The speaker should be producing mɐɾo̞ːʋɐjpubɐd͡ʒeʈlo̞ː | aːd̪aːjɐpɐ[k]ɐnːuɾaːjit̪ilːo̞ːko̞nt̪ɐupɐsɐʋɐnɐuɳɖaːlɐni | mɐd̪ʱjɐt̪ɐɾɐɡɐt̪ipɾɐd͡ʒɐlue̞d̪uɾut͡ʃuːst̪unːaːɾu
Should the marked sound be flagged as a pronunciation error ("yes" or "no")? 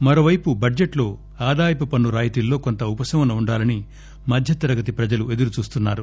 yes